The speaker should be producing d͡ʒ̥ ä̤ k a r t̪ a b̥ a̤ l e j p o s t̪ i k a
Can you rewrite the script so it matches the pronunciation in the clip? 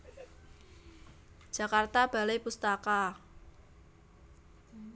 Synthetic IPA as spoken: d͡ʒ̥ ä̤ k a r t̪ a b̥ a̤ l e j p u s t̪ a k a